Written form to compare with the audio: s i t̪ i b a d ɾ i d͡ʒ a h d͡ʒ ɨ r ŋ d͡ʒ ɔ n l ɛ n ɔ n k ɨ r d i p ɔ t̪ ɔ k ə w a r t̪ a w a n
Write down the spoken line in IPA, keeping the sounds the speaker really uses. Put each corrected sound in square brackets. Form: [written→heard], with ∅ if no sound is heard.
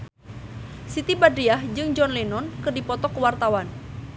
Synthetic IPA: s i t̪ i b a d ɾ i [d͡ʒ→∅] a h d͡ʒ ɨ [r→∅] ŋ d͡ʒ ɔ n l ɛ n ɔ n k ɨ r d i p ɔ t̪ ɔ k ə w a r t̪ a w a n